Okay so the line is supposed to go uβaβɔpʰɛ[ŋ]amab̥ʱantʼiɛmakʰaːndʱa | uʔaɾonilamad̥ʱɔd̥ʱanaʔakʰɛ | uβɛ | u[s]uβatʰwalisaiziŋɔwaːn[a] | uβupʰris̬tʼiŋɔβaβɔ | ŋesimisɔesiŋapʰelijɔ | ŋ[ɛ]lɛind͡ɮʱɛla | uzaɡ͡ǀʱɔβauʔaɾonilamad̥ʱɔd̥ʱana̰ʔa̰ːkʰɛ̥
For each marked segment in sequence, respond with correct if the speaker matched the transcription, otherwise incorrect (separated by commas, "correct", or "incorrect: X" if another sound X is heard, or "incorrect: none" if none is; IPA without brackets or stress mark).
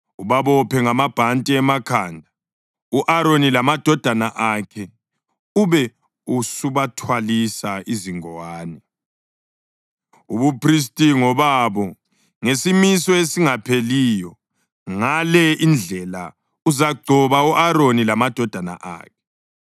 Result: correct, correct, incorrect: ɛ, incorrect: a